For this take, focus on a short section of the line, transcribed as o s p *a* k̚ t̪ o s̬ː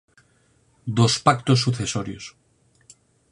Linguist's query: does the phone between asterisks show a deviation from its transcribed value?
no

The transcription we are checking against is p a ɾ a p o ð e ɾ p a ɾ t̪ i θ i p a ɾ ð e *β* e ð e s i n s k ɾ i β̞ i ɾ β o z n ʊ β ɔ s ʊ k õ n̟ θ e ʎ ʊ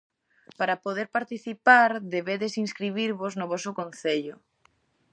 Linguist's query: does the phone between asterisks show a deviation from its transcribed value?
no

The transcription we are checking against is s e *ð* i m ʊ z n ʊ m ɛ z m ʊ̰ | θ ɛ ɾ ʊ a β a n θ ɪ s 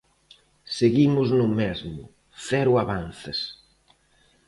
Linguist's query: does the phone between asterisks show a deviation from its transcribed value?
yes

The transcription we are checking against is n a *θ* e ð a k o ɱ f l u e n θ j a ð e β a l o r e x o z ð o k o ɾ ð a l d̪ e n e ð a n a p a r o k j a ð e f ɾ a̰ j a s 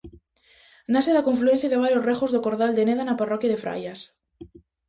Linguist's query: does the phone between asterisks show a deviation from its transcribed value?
yes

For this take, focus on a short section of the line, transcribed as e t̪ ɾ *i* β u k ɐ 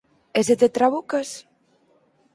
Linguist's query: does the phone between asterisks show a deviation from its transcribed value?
yes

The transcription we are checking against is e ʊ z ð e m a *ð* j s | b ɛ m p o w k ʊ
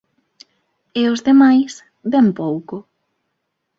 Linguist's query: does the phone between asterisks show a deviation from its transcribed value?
yes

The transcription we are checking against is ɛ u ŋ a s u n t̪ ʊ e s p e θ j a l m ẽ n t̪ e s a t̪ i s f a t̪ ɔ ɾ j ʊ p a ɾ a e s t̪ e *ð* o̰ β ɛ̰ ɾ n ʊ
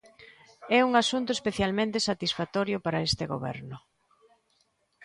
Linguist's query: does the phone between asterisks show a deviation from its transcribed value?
yes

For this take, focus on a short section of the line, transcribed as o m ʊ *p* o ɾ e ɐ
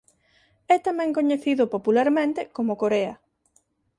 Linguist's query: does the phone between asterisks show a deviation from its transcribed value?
yes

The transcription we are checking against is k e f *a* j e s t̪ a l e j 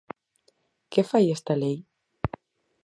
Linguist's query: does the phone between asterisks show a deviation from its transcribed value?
no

